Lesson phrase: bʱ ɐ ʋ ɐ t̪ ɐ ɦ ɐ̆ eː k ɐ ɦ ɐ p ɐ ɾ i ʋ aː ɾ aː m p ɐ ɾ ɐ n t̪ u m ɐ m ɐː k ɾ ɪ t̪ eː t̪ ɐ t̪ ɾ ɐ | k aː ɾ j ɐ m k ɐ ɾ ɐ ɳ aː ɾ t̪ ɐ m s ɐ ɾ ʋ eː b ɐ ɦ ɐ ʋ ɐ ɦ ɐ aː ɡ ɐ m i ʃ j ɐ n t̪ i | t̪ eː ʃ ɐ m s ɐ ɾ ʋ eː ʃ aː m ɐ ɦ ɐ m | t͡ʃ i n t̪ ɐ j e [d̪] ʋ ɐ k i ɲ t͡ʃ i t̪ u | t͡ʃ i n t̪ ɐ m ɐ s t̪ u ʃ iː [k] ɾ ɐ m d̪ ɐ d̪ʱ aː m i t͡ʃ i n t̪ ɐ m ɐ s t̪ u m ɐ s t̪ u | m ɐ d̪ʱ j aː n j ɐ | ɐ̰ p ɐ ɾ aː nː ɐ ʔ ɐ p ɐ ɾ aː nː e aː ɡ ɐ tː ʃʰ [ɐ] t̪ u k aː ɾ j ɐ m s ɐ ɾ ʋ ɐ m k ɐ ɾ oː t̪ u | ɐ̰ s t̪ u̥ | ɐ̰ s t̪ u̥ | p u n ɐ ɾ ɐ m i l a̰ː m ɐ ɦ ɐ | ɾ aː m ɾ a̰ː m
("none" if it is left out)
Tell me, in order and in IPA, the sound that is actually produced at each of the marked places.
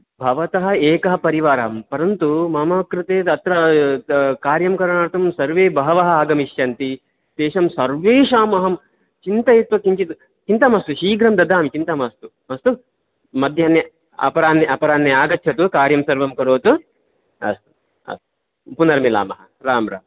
t̪, ɡ, ɐ

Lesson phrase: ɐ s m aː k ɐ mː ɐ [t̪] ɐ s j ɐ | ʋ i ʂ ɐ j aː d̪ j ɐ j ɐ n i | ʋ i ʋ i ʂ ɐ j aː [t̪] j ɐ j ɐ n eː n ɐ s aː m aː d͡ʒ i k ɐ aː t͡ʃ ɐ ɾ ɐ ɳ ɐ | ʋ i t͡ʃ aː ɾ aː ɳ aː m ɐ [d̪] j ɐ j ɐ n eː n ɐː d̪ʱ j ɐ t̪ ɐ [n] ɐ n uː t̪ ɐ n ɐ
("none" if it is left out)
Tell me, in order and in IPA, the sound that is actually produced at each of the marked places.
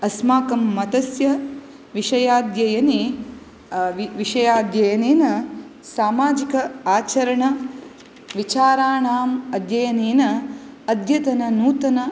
t̪, d̪, d̪, n

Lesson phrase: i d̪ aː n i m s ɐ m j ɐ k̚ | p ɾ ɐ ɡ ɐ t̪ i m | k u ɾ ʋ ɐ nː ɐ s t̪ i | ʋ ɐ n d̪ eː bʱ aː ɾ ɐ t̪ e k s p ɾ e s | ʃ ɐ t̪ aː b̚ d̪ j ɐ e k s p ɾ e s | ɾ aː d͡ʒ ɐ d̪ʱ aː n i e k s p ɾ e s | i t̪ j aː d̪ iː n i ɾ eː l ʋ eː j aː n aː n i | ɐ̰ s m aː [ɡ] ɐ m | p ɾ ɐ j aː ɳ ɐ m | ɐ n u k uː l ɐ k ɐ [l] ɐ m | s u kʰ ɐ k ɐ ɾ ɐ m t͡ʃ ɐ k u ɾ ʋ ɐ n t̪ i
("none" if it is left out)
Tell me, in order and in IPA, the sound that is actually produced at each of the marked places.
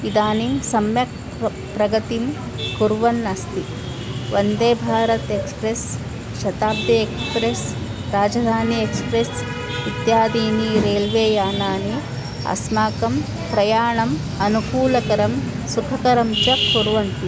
k, ɾ

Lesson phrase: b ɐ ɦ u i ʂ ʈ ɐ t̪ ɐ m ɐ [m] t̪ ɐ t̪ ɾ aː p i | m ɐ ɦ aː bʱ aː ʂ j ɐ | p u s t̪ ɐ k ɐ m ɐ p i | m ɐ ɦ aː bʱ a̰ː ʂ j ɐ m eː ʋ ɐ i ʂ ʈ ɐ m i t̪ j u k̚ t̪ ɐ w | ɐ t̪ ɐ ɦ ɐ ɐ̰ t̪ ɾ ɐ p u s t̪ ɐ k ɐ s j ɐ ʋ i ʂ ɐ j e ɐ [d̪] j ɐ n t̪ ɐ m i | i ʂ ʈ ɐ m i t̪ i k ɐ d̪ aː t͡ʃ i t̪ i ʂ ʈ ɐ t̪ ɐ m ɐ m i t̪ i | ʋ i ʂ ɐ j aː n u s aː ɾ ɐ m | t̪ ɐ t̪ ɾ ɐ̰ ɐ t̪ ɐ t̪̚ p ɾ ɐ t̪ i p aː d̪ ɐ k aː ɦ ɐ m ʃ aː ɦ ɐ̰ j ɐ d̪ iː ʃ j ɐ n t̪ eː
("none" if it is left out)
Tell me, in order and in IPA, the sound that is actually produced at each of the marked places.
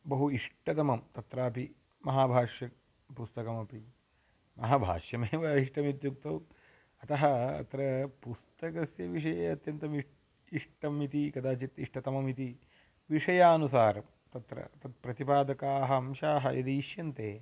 m, t̪

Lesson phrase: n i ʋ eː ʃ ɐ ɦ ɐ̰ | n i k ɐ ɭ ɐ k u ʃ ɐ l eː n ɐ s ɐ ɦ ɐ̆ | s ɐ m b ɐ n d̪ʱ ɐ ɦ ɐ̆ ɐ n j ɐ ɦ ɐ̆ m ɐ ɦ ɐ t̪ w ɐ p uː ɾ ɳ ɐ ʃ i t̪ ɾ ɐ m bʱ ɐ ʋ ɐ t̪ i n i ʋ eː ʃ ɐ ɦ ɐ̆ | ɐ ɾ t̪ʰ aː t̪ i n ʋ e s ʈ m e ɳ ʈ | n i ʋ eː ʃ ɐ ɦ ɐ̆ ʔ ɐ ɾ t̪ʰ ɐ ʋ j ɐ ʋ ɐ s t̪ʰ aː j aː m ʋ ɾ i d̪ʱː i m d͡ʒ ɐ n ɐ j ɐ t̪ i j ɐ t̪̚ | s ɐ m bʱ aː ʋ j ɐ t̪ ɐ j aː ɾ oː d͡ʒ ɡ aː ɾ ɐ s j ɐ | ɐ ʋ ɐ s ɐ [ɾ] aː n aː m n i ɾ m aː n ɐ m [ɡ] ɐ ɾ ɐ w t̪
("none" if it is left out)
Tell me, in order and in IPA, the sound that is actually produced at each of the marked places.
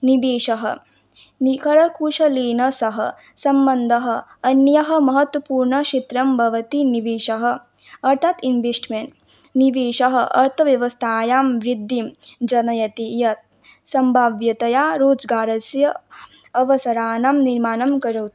ɾ, k

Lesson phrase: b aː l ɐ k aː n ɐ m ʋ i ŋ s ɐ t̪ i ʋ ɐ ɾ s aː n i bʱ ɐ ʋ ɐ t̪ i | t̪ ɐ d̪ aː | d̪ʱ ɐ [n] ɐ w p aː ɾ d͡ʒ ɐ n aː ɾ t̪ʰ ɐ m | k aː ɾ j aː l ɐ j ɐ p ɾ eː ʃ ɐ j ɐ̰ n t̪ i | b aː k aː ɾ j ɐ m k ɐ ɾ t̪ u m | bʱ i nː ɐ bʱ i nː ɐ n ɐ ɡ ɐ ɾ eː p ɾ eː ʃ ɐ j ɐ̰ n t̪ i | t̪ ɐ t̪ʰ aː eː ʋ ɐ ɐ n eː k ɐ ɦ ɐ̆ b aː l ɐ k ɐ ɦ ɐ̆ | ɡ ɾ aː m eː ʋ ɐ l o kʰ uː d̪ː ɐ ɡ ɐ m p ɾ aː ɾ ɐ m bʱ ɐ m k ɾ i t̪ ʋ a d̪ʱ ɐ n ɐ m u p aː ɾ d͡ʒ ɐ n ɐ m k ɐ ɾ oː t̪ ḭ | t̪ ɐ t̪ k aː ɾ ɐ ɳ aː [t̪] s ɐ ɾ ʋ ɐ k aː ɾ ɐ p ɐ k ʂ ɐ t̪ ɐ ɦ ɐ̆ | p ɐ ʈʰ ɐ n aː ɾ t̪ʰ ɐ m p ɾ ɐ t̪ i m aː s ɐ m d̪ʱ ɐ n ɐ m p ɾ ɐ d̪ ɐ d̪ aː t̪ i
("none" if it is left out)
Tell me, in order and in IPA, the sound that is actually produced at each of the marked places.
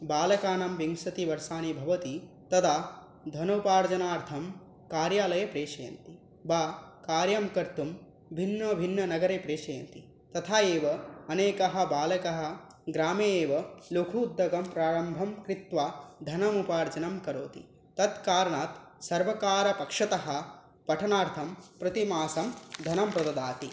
n, t̪

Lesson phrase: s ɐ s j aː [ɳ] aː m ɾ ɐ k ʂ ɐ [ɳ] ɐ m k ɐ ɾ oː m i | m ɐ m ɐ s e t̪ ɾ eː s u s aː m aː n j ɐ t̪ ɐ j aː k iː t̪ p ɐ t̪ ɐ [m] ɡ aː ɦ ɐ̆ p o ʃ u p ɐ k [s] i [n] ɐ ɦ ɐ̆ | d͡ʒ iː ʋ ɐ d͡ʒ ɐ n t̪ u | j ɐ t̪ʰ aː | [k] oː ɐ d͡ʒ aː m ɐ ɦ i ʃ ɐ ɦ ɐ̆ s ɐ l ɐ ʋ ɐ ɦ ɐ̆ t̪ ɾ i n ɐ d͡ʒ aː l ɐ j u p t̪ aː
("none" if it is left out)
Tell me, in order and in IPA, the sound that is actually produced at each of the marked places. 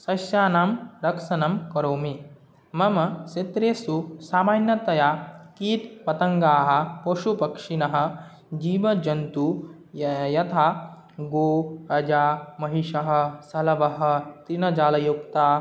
n, n, ŋ, ʂ, n, ɡ

